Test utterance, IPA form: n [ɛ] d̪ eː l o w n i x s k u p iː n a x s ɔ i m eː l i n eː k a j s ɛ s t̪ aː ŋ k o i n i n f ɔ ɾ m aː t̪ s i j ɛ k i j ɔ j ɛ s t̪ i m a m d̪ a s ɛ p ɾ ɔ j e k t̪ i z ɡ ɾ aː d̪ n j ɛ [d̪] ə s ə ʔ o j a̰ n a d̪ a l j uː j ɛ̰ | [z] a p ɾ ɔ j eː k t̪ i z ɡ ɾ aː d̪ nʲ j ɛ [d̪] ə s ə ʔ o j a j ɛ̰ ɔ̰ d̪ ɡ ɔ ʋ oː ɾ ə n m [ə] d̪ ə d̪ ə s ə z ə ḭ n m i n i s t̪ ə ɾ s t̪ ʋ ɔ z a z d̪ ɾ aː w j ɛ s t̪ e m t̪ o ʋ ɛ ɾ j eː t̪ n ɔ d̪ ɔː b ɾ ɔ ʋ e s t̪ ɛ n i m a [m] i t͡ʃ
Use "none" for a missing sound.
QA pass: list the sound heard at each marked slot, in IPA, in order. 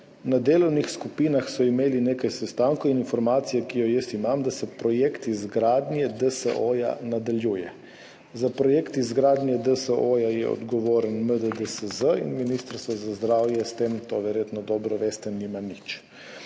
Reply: a, d̪, z, d̪, ə, n

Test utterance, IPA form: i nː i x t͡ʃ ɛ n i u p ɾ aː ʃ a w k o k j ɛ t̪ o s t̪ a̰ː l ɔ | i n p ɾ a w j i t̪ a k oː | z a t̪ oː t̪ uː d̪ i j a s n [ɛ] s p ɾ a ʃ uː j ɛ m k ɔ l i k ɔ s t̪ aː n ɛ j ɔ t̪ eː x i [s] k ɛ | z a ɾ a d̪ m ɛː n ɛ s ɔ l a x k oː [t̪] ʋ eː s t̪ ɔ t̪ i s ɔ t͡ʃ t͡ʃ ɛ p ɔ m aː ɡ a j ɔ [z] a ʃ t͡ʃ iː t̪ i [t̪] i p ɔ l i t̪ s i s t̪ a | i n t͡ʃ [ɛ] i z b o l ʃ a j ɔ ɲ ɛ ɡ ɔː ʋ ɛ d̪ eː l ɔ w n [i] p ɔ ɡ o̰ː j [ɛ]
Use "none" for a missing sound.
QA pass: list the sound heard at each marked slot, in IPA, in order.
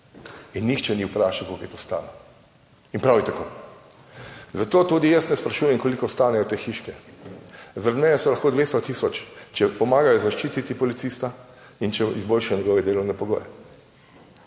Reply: ɛ, ʃ, d̪, z, t̪, ɛ, ɛ, ɛ

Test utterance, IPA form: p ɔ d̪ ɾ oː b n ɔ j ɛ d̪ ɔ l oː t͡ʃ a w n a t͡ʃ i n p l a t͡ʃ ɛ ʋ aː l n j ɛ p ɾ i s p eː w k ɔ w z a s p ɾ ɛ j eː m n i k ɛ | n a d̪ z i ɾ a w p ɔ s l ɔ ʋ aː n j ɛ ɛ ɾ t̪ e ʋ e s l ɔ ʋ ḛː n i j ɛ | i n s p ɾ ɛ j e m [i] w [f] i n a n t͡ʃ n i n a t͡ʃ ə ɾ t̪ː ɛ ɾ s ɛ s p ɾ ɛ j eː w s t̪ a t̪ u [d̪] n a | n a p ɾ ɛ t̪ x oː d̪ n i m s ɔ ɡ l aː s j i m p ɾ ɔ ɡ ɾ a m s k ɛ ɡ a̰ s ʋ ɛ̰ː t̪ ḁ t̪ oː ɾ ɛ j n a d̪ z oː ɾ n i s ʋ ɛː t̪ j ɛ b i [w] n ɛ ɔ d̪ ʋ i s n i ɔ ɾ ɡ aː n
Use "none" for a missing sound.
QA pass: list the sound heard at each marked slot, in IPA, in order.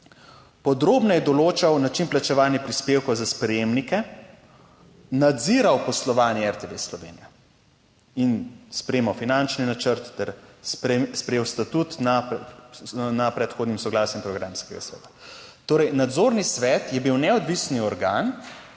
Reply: a, f, t̪, w

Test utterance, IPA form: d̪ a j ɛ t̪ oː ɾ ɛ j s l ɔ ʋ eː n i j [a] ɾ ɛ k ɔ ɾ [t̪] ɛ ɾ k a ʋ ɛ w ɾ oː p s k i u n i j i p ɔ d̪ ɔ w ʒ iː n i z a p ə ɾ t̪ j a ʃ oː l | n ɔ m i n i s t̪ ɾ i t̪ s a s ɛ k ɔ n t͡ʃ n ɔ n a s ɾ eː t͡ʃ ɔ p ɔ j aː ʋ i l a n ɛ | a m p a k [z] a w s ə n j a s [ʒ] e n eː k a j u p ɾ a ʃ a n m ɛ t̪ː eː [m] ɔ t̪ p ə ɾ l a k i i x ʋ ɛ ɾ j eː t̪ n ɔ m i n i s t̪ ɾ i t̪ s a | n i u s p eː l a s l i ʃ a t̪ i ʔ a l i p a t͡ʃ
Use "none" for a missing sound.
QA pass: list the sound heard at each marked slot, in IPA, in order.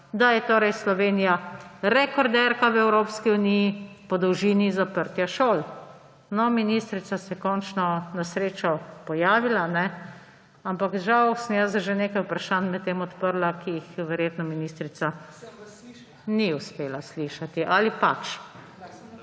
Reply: a, d̪, ʒ, ʒ, m

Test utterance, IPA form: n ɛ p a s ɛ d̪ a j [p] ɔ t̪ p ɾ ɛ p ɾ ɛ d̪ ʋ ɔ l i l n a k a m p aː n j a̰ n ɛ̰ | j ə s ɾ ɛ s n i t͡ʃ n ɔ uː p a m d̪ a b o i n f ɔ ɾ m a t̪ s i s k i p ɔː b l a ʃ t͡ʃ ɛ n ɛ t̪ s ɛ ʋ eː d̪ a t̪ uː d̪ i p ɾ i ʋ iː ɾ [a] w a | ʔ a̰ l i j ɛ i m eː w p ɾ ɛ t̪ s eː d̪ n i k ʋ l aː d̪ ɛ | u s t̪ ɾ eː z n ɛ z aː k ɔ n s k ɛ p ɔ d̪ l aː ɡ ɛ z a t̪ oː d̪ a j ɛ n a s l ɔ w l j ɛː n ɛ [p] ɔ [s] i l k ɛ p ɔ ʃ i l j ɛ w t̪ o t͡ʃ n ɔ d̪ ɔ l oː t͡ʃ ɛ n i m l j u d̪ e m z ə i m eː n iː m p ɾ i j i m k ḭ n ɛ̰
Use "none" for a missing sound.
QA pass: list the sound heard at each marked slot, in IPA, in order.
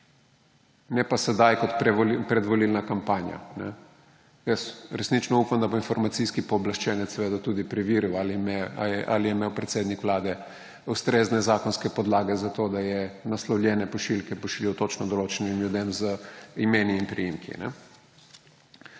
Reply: k, i, p, ʃ

